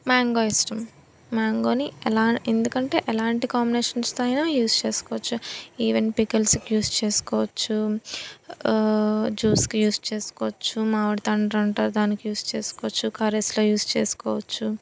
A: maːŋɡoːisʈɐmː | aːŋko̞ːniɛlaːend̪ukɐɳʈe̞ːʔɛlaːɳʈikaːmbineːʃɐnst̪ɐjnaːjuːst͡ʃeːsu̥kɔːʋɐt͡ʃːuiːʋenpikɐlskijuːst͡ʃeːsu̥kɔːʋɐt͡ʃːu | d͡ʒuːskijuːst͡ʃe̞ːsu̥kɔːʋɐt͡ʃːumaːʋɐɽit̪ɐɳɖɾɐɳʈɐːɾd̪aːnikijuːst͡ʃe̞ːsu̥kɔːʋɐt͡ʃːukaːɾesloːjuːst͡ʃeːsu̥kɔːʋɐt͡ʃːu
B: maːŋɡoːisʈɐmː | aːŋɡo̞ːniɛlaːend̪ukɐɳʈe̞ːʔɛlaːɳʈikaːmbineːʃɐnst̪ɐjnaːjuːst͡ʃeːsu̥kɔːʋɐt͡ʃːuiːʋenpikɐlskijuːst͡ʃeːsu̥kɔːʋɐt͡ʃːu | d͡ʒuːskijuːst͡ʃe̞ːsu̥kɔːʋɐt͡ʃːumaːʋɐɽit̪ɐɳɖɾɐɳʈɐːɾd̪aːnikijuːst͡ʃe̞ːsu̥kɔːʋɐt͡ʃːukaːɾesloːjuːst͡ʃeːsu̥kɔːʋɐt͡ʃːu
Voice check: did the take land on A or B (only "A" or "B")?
B